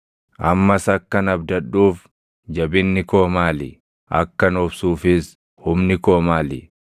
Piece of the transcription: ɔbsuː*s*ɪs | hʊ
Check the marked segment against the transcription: incorrect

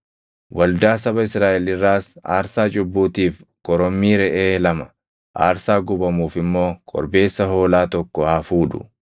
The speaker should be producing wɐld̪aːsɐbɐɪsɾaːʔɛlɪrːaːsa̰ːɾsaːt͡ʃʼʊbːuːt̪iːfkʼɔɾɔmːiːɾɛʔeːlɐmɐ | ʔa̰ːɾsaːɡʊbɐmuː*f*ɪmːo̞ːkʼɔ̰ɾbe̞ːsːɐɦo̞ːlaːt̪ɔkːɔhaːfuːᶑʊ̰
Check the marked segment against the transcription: correct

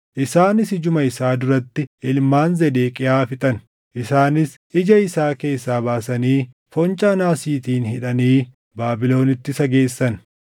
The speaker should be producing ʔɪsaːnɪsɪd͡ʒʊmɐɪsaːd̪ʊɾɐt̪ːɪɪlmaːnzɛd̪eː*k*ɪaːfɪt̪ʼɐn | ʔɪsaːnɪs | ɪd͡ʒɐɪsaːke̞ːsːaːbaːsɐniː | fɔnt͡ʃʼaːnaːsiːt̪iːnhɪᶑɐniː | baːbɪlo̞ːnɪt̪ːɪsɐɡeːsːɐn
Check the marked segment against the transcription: incorrect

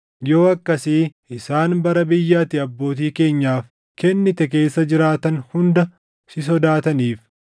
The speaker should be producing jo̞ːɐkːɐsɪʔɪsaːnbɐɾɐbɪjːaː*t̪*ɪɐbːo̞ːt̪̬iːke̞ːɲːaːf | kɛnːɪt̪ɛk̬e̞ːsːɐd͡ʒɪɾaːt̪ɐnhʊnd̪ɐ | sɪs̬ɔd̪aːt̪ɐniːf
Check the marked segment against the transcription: correct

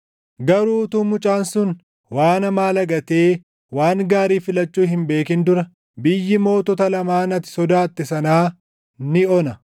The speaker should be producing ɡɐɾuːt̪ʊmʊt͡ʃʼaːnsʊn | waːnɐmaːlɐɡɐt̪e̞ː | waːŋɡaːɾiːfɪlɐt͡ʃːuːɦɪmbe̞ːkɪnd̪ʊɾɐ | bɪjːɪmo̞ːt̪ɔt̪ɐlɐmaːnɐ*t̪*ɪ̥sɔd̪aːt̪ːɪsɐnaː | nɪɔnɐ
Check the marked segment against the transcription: correct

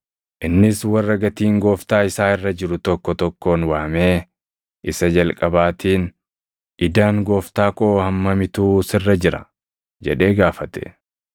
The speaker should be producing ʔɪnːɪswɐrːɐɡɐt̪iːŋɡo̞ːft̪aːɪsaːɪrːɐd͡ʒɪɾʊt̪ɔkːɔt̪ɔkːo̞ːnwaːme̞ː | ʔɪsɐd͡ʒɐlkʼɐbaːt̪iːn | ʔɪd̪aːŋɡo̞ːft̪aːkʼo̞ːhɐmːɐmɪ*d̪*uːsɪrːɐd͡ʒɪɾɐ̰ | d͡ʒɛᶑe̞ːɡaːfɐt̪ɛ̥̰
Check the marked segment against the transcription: incorrect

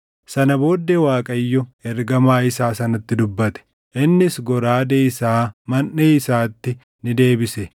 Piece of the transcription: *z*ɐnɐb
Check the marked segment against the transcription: incorrect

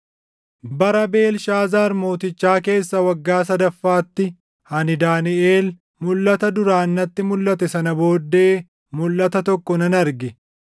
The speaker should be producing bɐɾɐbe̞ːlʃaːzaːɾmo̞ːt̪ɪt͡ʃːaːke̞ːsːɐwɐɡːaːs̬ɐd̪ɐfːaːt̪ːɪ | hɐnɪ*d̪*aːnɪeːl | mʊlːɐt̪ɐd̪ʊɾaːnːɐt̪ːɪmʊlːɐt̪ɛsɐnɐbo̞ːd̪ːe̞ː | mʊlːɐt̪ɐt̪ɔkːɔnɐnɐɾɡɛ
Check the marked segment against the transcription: correct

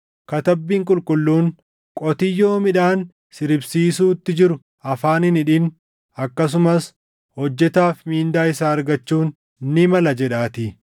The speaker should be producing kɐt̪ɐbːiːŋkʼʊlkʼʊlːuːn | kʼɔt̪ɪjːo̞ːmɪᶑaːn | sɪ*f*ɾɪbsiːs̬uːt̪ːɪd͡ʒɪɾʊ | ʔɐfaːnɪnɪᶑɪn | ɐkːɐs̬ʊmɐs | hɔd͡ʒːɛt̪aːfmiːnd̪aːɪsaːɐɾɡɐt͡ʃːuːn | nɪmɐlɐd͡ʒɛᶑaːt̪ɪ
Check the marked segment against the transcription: incorrect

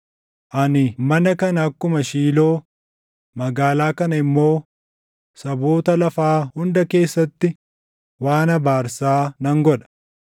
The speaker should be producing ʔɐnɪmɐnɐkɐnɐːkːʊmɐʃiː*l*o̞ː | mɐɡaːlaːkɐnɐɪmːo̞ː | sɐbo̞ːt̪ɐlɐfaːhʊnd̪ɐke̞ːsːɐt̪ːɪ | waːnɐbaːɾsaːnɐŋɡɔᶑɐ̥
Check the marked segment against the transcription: correct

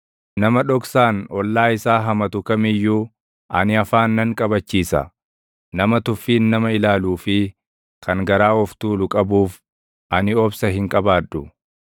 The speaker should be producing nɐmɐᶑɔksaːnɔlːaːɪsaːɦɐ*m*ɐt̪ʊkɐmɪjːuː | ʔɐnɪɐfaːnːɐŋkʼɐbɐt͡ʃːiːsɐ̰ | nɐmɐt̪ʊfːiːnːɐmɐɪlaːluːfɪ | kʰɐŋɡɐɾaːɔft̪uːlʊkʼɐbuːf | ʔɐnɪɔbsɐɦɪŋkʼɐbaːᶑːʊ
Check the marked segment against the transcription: correct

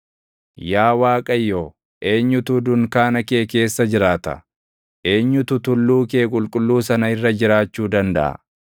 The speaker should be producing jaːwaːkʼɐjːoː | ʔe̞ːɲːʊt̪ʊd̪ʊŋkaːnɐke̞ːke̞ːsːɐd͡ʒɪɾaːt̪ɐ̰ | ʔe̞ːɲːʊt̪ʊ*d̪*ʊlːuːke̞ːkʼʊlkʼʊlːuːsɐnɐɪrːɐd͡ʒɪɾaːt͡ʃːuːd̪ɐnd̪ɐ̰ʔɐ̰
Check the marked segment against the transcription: incorrect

